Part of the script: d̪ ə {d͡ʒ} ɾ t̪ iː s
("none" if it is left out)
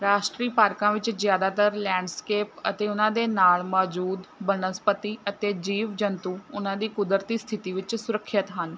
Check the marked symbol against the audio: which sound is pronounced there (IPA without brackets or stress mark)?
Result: none